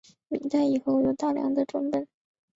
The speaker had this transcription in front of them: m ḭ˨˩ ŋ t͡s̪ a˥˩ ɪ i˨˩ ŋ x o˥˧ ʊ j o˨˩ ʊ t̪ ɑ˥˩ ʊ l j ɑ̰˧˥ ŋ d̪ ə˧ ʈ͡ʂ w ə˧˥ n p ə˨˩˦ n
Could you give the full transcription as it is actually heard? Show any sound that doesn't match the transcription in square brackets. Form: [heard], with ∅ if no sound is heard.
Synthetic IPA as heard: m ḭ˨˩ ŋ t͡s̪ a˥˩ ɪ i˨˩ [∅] x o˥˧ ʊ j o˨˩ ʊ t̪ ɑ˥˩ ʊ l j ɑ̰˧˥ ŋ d̪ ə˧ ʈ͡ʂ w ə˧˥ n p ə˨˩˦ n